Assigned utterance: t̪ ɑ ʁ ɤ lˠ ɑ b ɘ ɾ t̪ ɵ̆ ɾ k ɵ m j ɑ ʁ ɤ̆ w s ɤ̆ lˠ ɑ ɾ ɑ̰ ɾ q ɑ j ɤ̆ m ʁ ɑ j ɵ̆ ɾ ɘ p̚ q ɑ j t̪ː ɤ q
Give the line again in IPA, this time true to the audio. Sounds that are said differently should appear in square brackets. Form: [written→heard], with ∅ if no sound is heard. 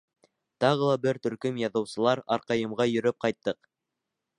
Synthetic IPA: t̪ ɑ ʁ ɤ lˠ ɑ b ɘ ɾ t̪ ɵ̆ ɾ k ɵ m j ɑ [ʁ→ð] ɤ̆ w s ɤ̆ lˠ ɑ ɾ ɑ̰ ɾ q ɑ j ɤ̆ m ʁ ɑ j ɵ̆ ɾ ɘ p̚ q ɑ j t̪ː ɤ q